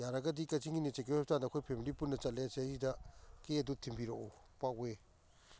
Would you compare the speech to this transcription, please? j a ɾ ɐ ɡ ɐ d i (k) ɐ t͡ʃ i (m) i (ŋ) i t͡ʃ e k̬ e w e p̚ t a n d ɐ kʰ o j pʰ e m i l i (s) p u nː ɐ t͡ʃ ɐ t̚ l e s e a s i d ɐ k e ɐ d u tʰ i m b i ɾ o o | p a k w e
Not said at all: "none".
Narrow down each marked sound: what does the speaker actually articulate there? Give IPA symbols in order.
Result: k, ŋ, n, none

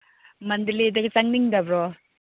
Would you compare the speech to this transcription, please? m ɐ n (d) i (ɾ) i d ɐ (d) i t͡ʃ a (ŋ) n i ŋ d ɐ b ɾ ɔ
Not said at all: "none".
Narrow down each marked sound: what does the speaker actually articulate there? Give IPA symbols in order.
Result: d, l, ɡ, ŋ

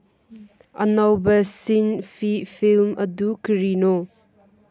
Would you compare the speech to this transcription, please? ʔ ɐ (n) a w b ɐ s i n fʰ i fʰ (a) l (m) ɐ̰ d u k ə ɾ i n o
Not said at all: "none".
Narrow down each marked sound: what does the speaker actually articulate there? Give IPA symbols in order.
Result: n, i, m

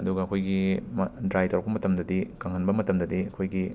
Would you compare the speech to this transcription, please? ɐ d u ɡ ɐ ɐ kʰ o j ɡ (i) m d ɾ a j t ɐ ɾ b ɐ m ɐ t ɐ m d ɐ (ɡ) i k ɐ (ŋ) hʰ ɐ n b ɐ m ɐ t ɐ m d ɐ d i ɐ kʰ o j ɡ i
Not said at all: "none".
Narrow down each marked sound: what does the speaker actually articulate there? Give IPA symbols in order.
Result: i, d, ŋ

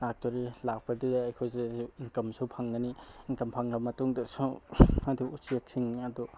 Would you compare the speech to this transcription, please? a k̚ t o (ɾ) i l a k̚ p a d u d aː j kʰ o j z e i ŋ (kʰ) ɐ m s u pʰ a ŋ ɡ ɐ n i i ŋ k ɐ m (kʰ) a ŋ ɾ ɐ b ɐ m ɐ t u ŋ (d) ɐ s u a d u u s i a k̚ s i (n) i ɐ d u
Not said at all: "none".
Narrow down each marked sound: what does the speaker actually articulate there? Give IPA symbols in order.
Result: ɾ, k, pʰ, d, ŋ

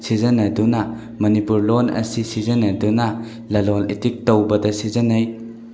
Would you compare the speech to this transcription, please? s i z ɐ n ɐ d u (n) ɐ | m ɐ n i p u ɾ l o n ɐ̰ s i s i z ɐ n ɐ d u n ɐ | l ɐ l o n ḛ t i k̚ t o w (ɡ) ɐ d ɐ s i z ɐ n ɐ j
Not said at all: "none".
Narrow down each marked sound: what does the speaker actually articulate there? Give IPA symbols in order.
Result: n, b

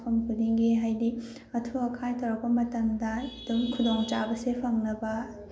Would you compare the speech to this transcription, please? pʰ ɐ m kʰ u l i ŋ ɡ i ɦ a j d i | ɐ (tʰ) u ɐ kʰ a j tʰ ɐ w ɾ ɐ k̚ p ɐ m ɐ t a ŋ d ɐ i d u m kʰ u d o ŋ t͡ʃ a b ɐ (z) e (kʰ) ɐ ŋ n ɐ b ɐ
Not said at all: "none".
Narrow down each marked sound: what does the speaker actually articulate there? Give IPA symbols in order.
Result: tʰ, s, pʰ

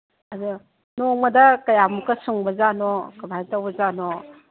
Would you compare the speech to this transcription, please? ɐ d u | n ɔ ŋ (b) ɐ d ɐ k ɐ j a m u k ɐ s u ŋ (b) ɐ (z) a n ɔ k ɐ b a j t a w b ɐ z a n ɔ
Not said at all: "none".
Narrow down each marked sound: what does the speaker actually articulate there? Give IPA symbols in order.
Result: m, b, z

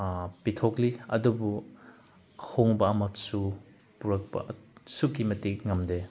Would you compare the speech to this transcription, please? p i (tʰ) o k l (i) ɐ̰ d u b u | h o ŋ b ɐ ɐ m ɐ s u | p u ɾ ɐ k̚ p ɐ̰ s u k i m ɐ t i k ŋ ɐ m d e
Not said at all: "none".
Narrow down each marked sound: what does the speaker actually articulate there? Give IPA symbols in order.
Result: tʰ, i

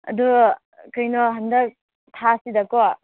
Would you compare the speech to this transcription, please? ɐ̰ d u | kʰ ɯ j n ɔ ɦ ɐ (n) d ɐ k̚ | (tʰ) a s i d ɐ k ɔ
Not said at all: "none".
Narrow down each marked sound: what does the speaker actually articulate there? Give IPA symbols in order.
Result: n, tʰ

